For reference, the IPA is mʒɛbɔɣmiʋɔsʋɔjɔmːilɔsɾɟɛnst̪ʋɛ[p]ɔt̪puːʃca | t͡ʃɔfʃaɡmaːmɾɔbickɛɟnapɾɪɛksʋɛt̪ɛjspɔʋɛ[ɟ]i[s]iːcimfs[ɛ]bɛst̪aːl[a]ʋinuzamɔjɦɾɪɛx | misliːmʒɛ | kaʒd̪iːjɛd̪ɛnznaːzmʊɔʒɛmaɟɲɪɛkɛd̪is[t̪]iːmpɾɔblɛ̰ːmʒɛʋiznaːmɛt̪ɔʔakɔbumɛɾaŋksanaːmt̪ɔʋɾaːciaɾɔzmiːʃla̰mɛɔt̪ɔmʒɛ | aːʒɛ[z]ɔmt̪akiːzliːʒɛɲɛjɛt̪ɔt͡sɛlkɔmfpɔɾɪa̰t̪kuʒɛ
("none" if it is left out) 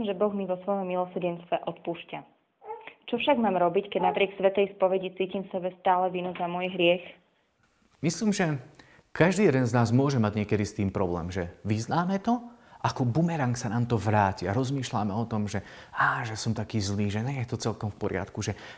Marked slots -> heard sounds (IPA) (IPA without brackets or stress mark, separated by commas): ʔ, ɟ, t͡s, ɛ, ɛ, t̪, s